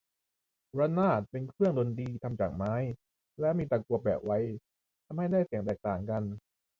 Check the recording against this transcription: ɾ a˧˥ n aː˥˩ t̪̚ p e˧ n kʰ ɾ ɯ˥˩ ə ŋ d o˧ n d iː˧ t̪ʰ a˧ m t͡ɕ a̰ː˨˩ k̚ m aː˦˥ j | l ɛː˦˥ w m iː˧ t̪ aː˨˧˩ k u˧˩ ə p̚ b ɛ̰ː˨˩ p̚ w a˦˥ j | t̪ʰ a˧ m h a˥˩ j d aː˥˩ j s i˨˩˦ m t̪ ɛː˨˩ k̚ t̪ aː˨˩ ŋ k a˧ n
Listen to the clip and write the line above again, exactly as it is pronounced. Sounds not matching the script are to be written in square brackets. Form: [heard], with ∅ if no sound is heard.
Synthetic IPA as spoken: ɾ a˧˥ n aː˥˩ t̪̚ p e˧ n kʰ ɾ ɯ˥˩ ə ŋ d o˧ n d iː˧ t̪ʰ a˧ m t͡ɕ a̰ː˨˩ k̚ m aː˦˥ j | l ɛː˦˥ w m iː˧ t̪ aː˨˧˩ k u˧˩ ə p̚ b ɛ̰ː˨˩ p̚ w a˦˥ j | t̪ʰ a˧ m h a˥˩ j d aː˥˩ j s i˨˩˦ [ŋ] t̪ ɛː˨˩ k̚ t̪ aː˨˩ ŋ k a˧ n